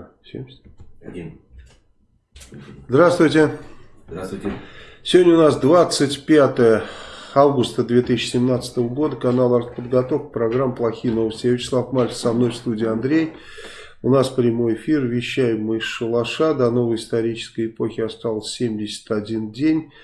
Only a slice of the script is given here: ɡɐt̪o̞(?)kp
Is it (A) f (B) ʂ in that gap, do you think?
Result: A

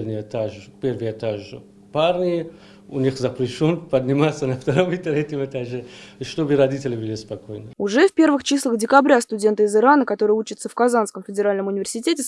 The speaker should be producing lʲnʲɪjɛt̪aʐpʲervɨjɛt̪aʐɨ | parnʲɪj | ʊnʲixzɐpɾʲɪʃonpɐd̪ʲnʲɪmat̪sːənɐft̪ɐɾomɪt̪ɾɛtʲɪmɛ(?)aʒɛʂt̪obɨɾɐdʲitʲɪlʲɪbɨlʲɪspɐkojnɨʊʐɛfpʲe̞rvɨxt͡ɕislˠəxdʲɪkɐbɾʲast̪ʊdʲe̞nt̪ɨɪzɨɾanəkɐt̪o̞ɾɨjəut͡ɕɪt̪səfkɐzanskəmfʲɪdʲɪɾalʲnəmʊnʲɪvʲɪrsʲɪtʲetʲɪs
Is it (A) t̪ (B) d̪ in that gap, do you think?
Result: A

